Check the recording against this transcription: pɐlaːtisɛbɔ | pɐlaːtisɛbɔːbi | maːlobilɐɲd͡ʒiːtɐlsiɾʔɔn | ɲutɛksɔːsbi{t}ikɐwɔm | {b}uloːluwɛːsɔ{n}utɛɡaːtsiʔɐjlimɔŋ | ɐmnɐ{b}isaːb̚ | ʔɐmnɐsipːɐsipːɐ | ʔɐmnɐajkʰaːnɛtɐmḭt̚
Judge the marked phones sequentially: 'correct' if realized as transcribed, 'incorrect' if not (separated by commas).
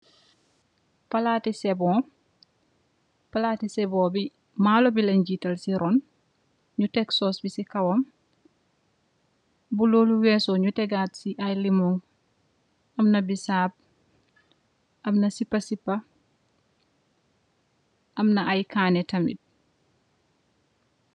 incorrect, correct, incorrect, correct